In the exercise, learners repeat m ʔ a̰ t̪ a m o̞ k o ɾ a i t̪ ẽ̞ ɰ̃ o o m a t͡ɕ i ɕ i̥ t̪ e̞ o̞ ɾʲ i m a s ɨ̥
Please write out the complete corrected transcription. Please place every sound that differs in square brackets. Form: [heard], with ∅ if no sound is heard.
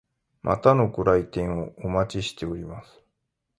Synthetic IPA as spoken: m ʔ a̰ t̪ a [n] o̞ k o ɾ a i t̪ ẽ̞ ɰ̃ o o m a t͡ɕ i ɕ i̥ t̪ e̞ o̞ ɾʲ i m a s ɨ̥